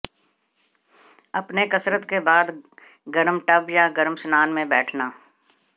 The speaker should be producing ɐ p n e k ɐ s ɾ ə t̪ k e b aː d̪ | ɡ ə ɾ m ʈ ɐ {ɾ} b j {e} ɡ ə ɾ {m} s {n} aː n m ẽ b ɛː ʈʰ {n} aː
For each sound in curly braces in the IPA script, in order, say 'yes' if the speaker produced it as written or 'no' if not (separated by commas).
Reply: no, no, yes, yes, yes